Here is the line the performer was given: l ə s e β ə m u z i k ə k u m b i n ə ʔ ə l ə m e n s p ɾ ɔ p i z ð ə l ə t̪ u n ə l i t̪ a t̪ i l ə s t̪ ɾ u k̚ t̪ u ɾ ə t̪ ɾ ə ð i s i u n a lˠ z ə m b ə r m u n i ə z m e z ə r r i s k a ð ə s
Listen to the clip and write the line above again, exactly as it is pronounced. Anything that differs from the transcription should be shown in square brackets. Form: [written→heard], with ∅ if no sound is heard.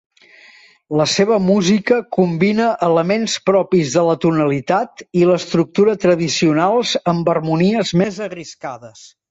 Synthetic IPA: l ə s e β ə m u z i k ə k u m b i n ə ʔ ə l ə m e n s p ɾ ɔ p i z ð ə l ə t̪ u n ə l i t̪ a t̪ i l ə s t̪ ɾ u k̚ t̪ u ɾ ə t̪ ɾ ə ð i s i u n a lˠ z ə m b ə r m u n i ə z m e z ə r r i s k a ð ə s